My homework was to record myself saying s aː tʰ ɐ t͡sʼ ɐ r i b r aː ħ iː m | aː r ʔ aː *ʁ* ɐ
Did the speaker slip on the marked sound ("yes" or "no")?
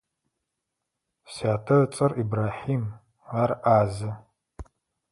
yes